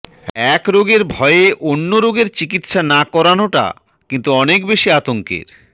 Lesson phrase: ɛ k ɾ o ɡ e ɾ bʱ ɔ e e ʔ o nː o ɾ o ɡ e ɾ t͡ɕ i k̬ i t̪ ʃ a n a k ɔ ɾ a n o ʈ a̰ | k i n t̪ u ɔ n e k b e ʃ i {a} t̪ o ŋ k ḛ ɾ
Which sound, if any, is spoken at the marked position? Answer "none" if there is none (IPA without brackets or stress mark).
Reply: a